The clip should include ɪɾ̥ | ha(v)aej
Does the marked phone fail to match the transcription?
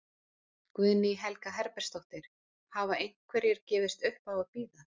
no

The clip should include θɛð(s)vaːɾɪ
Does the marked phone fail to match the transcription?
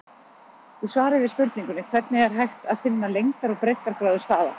no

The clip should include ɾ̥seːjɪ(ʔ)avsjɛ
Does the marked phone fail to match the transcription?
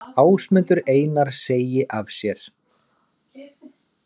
no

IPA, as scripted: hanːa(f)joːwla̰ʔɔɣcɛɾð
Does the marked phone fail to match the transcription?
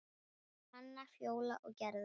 no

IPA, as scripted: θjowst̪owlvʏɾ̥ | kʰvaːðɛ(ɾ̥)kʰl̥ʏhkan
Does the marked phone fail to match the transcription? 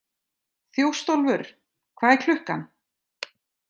yes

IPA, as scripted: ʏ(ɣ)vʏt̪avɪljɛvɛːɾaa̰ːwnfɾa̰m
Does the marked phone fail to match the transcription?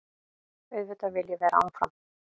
yes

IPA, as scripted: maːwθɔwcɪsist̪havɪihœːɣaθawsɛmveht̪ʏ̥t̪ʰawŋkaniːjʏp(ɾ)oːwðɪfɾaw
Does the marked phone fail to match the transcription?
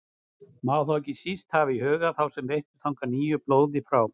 yes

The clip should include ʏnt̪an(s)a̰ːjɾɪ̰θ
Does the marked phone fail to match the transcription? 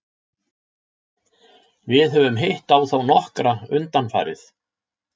yes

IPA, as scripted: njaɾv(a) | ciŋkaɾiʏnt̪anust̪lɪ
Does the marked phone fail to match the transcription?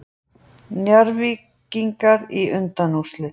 yes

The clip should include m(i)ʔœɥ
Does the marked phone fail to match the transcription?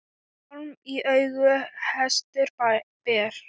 no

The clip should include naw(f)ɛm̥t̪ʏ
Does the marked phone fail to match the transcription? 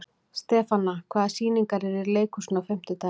no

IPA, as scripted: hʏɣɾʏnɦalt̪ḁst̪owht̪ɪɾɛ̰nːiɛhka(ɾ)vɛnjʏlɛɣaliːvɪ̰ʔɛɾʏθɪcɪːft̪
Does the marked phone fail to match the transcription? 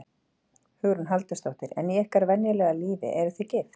no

